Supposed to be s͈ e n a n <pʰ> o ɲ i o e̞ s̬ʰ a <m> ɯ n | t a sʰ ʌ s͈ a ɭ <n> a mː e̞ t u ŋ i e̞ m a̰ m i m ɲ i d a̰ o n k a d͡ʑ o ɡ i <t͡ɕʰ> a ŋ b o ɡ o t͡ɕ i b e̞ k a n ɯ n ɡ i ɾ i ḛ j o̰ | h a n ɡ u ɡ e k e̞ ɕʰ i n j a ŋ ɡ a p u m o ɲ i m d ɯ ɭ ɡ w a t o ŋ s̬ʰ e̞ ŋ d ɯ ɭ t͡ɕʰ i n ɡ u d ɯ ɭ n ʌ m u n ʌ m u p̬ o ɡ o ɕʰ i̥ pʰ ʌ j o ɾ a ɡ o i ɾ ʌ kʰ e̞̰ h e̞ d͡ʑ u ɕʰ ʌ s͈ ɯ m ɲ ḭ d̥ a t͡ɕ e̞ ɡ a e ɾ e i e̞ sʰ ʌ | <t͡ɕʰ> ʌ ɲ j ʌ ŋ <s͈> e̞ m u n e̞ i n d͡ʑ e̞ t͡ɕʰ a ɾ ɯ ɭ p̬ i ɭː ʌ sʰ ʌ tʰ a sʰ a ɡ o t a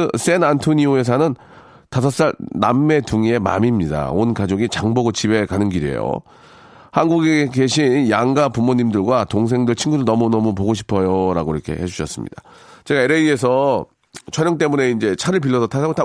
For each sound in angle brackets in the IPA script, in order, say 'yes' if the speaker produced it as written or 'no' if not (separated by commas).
no, no, yes, no, yes, no